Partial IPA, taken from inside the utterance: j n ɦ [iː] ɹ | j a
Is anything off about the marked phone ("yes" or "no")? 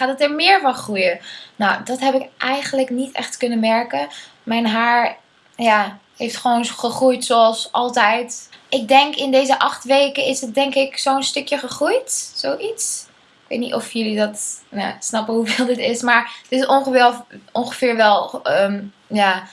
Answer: yes